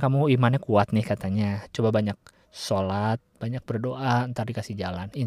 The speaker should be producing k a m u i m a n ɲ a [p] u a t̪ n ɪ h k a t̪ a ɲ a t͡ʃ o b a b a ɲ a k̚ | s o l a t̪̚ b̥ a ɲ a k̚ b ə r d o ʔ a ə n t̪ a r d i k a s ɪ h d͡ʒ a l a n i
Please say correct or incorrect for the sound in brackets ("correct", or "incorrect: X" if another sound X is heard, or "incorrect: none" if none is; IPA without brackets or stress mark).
incorrect: k